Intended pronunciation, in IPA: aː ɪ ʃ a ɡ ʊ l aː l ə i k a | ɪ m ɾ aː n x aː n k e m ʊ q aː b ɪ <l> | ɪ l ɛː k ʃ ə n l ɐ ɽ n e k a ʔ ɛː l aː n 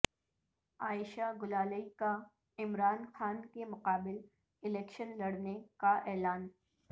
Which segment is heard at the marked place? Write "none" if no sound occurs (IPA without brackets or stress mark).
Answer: l